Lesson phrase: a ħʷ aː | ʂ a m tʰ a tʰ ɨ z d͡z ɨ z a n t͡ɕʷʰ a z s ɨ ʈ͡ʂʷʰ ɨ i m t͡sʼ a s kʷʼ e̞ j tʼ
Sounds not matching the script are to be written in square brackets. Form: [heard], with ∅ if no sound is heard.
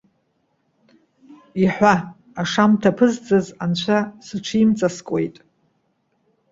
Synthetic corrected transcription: [i] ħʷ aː | ʂ a m tʰ a [pʰ] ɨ z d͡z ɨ z a n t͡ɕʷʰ a [∅] s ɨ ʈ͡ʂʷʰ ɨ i m t͡sʼ a s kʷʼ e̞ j tʼ

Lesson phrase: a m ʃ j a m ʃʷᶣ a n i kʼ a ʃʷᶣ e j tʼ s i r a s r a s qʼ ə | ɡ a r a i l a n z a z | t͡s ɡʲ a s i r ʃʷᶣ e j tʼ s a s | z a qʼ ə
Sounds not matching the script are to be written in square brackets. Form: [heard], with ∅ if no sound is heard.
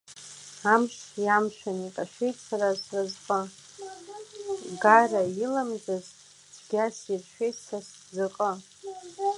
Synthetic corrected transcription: a m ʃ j a m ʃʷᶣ a n i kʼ a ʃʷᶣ e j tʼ s [a] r a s r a [z] qʼ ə | ɡ a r a i l a [m] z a z | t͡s ɡʲ a s i r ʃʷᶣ e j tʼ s a s | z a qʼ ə

